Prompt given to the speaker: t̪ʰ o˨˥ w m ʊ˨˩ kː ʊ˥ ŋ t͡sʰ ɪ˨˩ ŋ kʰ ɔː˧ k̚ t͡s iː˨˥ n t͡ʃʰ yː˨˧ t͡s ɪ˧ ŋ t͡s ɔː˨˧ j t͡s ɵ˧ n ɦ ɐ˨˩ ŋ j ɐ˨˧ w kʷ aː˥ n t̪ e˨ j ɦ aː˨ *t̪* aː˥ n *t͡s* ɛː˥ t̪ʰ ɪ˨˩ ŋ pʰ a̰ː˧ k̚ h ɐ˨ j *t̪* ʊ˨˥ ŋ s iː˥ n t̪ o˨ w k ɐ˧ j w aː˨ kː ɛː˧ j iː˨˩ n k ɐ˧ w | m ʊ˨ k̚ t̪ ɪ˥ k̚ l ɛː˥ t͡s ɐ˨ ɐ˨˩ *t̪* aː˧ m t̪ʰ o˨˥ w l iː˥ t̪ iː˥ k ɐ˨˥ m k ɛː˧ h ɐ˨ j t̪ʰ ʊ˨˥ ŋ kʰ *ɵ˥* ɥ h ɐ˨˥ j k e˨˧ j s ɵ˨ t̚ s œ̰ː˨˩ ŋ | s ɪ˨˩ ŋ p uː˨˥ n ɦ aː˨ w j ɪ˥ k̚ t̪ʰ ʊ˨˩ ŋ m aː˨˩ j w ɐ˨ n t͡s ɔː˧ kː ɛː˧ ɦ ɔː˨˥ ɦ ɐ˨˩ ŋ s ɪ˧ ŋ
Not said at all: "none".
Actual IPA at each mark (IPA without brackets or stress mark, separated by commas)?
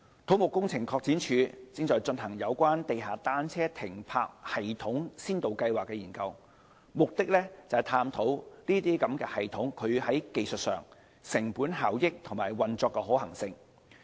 t̪, t͡sʰ, t̪ʰ, t̪ʰ, ɵ˨˧